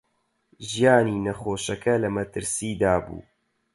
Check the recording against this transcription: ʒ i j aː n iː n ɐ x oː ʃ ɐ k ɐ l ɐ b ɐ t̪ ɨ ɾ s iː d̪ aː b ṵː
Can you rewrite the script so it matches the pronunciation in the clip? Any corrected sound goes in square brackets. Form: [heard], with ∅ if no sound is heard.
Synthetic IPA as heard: ʒ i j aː n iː n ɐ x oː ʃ ɐ k ɐ l ɐ [m] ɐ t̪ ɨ ɾ s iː d̪ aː b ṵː